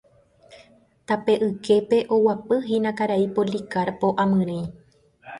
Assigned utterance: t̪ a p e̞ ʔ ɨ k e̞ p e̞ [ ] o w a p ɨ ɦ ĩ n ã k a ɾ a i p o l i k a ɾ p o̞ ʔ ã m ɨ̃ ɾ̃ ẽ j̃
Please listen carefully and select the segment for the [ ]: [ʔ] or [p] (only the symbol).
ʔ